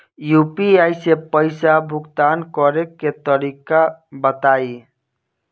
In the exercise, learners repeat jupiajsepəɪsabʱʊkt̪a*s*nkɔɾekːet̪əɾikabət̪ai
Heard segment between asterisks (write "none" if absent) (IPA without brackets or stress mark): none